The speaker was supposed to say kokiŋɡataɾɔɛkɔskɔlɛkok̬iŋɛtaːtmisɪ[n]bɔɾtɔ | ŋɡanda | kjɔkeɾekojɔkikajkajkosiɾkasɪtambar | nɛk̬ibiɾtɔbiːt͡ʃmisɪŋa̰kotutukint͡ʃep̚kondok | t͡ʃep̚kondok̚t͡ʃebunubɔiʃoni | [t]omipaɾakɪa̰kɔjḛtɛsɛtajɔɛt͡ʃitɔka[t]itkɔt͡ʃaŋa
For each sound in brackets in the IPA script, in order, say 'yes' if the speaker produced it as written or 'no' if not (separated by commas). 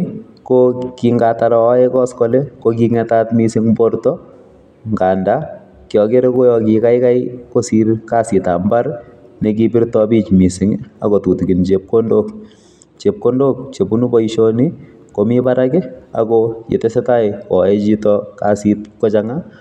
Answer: no, no, no